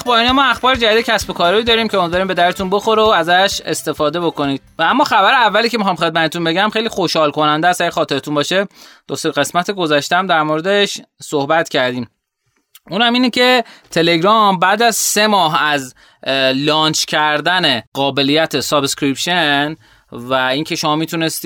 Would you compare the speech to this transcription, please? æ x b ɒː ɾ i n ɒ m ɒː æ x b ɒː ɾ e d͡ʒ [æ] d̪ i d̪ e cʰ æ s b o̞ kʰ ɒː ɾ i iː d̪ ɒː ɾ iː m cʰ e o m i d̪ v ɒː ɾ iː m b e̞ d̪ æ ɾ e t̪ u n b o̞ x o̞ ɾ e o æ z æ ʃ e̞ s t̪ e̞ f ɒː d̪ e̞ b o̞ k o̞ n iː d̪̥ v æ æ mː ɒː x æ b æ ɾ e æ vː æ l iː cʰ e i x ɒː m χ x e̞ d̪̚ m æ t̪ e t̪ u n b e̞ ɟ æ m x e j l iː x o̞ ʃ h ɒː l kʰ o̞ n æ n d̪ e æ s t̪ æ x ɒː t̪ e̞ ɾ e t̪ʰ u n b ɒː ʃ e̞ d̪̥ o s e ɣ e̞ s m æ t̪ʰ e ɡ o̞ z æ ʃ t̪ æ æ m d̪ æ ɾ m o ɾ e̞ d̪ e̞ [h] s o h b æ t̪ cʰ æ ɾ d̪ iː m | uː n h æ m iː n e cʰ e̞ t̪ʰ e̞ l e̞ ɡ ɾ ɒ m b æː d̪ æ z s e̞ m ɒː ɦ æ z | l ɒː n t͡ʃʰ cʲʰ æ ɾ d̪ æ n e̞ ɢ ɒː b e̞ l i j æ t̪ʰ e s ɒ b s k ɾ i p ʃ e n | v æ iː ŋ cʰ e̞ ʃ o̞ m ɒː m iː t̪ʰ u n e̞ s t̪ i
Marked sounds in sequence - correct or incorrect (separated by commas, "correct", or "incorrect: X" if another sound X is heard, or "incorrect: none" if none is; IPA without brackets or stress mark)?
correct, incorrect: ʃ